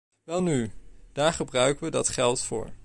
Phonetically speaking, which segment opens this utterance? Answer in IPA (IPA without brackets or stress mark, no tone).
ʋ